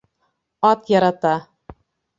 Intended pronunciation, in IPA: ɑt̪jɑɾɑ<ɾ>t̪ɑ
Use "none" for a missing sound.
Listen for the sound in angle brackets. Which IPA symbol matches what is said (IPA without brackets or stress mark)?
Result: none